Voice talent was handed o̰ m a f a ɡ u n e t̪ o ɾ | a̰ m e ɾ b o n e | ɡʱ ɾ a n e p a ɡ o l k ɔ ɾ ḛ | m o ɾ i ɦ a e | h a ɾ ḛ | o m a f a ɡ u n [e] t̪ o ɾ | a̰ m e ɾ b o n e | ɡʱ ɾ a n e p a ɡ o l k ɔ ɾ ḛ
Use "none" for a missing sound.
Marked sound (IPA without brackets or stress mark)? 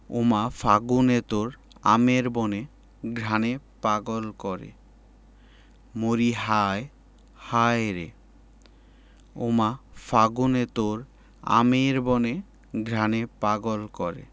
e